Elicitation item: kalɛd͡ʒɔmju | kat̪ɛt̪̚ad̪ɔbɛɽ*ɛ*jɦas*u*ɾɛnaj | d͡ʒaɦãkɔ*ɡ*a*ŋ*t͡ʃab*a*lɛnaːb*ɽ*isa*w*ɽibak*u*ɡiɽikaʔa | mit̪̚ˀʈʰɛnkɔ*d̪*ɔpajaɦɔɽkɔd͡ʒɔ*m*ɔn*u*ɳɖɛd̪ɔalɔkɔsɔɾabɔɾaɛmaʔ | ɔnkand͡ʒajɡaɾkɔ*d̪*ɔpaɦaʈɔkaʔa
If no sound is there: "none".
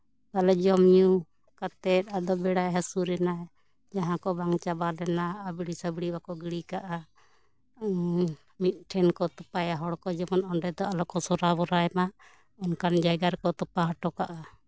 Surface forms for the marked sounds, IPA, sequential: a, u, b, ŋ, a, ɽ, b, ɔ, t̪, m, ɔ, t̪

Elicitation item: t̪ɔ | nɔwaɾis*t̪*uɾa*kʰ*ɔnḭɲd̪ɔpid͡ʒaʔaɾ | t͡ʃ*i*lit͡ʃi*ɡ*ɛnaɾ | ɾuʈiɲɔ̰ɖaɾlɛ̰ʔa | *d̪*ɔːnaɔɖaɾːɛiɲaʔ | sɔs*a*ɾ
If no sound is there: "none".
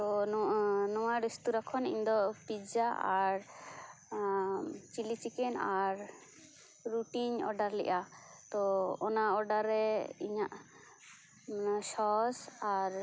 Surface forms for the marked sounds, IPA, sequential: t̪, kʰ, i, k, t̪, a

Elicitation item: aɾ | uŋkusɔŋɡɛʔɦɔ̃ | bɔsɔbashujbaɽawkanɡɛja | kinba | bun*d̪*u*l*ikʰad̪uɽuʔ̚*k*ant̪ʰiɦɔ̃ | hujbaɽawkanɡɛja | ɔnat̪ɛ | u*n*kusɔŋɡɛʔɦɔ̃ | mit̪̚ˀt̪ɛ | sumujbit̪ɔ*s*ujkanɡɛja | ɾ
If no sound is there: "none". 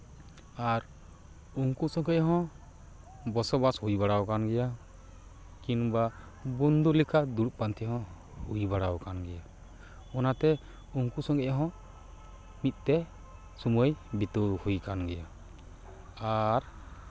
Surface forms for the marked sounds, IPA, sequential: d̪, l, p, ŋ, h

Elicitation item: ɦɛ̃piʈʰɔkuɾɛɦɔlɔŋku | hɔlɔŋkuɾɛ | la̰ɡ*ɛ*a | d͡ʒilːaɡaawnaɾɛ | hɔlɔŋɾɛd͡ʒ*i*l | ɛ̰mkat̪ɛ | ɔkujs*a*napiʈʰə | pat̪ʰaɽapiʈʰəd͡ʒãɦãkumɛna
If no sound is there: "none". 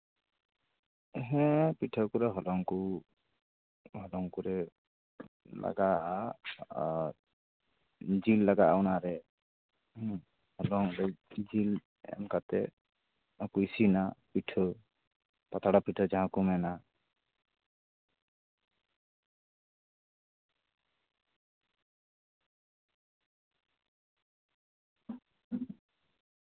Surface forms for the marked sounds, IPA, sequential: a, i, i

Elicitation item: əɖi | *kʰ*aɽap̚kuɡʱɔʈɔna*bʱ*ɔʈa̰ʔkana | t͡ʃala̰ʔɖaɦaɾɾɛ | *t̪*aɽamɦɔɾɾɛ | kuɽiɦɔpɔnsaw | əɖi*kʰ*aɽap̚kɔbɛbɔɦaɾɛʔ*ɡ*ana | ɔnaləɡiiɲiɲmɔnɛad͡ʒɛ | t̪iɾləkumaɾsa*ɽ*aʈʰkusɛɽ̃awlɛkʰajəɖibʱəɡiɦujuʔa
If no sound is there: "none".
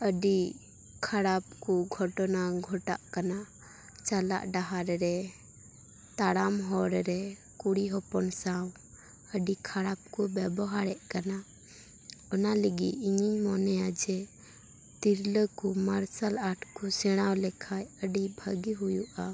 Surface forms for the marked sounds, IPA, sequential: kʰ, ɡʱ, t̪, kʰ, k, l

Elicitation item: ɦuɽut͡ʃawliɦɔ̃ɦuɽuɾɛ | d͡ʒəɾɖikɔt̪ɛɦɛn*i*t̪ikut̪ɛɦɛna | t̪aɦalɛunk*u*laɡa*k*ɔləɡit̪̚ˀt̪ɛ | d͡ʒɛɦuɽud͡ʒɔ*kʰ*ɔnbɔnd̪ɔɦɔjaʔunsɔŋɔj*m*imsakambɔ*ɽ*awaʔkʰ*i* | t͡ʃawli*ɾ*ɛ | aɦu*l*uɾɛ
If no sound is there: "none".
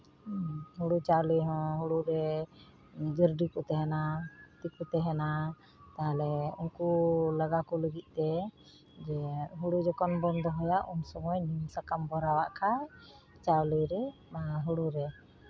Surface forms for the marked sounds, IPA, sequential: a, u, k, k, n, ɾ, a, ɾ, ɽ

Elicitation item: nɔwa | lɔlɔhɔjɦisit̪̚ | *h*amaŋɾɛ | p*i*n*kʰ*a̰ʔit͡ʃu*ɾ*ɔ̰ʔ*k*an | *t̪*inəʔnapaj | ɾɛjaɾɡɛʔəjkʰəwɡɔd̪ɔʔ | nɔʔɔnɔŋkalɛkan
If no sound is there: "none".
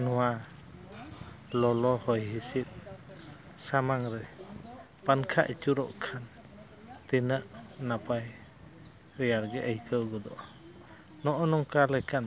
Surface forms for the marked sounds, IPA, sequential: s, a, kʰ, ɾ, kʰ, t̪

